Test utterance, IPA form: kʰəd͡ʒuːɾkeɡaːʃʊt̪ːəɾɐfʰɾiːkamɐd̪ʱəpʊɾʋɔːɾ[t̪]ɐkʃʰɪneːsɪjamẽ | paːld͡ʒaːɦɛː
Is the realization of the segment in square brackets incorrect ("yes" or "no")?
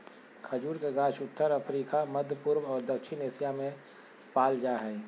yes